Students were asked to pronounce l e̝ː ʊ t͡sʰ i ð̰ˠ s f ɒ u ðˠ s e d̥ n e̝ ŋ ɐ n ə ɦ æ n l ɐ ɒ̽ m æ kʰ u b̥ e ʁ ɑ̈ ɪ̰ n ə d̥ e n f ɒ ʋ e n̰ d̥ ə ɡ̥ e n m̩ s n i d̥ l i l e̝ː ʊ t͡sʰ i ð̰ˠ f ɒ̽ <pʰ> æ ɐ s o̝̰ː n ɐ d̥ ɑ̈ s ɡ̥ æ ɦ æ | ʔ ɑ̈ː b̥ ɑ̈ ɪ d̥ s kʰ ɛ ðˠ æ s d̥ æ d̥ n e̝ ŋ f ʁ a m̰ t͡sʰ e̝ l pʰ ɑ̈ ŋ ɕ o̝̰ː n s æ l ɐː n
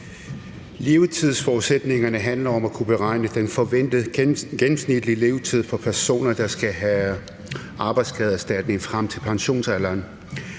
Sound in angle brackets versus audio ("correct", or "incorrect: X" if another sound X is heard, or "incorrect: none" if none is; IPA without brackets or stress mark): correct